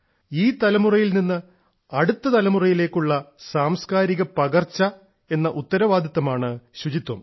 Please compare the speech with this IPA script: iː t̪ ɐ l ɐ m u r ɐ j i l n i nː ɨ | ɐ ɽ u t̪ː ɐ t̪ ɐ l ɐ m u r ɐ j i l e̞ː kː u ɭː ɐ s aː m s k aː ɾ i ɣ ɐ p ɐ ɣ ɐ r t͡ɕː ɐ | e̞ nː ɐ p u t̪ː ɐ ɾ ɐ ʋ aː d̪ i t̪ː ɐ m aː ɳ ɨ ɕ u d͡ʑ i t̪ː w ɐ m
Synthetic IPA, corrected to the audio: iː t̪ ɐ l ɐ m u r ɐ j i l n i nː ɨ | ɐ ɽ u t̪ː ɐ t̪ ɐ l ɐ m u r ɐ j i l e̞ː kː u ɭː ɐ s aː m s k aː ɾ i ɣ ɐ p ɐ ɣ ɐ r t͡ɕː ɐ | e̞ nː ɐ ʔ u t̪ː ɐ ɾ ɐ ʋ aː d̪ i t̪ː ɐ m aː ɳ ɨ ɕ u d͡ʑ i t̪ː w ɐ m